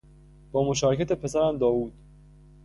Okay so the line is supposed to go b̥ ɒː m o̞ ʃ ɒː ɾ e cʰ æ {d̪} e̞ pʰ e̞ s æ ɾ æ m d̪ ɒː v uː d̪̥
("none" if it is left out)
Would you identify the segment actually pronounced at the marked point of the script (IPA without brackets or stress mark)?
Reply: t̪